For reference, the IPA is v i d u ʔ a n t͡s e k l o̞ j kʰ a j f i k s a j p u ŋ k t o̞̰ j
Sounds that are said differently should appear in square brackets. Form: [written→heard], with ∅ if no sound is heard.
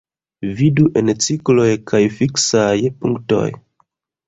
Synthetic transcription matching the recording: v i d u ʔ [a→e] n t͡s [e→i] k l o̞ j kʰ a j f i k s a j p u ŋ k t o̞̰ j